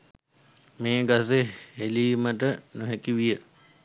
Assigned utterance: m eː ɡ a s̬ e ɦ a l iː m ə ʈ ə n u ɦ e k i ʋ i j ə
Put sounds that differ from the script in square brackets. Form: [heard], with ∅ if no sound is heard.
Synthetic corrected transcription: m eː ɡ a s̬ e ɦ [e] l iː m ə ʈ ə n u ɦ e k i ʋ i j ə